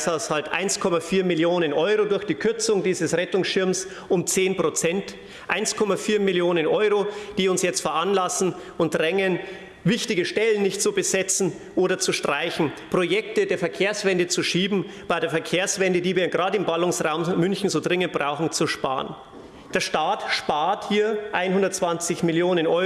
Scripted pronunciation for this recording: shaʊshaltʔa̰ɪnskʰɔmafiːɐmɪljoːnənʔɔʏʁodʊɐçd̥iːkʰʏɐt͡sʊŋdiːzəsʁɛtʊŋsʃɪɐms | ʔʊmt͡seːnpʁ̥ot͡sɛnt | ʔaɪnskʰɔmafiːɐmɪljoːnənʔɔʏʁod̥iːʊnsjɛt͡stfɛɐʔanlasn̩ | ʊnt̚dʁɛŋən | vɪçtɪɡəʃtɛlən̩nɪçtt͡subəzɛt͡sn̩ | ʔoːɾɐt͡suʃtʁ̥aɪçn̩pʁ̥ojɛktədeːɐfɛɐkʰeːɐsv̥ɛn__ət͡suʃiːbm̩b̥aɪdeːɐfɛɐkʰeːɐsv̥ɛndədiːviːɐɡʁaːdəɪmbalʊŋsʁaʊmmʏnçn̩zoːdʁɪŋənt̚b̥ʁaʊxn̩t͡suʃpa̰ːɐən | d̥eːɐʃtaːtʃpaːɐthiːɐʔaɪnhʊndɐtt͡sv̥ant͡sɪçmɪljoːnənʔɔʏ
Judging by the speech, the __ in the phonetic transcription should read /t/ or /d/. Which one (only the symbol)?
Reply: d